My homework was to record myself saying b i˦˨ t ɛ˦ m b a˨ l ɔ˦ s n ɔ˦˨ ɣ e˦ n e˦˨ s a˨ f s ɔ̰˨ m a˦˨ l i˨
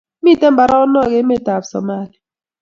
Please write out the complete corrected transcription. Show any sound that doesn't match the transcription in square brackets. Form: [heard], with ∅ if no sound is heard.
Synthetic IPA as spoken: [m] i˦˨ t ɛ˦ m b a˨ [ɾ] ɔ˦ [∅] n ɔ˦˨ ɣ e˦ [m] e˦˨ [t] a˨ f s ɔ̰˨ m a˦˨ l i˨